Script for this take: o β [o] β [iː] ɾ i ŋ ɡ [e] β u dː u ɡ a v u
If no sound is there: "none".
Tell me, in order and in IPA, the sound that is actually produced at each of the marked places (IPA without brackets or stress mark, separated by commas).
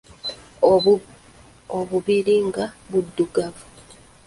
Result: u, i, a